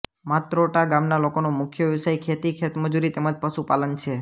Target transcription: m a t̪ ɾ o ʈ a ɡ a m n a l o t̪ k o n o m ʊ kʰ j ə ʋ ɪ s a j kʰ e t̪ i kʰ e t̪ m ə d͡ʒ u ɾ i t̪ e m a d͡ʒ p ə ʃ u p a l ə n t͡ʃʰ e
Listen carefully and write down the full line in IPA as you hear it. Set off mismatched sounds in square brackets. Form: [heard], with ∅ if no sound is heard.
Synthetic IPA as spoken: m a t̪ ɾ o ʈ a ɡ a m n a l o [∅] k o n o m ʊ kʰ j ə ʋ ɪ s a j kʰ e t̪ i kʰ e t̪ m ə d͡ʒ u ɾ i t̪ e m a d͡ʒ p ə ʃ u p a l ə n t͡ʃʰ e